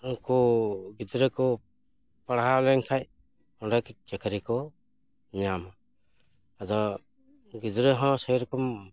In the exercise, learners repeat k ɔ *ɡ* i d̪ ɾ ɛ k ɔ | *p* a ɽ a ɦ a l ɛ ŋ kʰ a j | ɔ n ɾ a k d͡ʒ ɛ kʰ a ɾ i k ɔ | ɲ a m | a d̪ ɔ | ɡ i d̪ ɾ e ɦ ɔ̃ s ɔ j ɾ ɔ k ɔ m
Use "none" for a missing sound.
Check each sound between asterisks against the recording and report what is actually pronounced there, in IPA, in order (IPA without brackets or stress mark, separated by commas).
ɡ, p